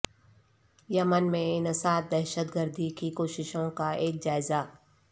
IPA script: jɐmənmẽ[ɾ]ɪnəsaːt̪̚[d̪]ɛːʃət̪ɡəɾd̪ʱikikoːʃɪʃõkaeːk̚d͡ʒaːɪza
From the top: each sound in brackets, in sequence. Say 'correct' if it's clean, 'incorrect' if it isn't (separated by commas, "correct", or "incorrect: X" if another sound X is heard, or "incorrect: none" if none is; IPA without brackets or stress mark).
incorrect: none, correct